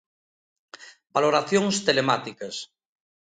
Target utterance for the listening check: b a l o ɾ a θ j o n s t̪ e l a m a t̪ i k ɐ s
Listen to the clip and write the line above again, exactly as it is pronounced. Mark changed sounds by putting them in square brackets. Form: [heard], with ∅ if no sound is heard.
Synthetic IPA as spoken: b a l o ɾ a θ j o [ŋ] s t̪ e l [e] m a t̪ i k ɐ s